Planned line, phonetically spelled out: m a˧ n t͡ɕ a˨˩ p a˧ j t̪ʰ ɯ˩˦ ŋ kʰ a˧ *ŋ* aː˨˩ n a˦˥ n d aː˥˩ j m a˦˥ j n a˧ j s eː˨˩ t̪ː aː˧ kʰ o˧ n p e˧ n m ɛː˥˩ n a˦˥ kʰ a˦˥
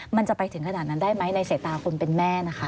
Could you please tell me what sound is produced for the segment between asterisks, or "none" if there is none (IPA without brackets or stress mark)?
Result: n